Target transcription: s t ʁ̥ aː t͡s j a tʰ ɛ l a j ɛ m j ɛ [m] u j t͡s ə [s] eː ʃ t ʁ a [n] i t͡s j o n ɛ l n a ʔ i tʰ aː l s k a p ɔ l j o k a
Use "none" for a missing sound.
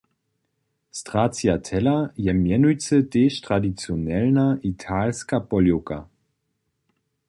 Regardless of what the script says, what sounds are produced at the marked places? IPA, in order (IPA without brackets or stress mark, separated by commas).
n, t, d